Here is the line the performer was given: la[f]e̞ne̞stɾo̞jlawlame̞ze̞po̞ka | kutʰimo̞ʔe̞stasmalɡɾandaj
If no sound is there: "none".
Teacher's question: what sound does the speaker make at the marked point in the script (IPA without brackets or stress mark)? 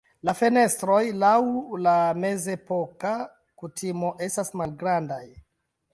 f